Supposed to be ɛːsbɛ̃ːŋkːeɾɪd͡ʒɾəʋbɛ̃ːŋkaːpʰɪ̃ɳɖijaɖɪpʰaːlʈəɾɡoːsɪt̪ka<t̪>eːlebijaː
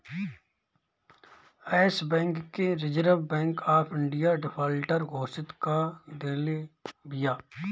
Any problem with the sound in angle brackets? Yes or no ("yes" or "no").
yes